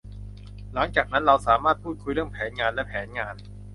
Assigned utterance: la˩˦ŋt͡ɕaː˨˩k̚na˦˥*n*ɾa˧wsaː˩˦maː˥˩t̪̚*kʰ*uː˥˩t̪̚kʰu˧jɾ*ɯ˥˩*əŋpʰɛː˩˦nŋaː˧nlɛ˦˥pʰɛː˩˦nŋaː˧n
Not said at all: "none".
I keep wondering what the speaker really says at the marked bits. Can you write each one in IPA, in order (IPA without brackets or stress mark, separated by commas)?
n, pʰ, ɯ˥˩